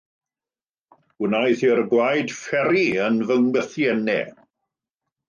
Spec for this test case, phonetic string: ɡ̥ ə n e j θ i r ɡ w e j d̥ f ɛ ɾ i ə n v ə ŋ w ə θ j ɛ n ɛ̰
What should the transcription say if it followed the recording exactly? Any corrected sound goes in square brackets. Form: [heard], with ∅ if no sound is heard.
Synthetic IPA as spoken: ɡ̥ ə n [a] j θ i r ɡ w [a] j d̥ f ɛ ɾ i ə n v ə ŋ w ə θ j ɛ n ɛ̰